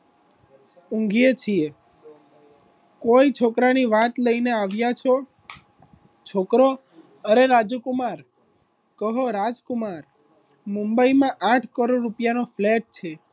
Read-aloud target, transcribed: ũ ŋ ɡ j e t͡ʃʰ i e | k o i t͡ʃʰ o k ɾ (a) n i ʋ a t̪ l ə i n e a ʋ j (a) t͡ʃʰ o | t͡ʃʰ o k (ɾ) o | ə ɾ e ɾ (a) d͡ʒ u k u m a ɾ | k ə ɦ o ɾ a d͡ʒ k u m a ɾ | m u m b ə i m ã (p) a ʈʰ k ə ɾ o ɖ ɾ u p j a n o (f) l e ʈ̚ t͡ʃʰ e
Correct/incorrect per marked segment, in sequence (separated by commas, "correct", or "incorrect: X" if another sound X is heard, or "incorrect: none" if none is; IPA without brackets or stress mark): correct, correct, correct, correct, incorrect: ʔ, correct